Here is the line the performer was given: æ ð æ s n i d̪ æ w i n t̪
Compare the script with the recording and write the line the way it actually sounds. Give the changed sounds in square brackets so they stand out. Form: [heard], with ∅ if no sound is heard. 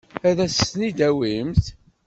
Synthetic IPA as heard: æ ð æ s n i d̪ æ w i [m] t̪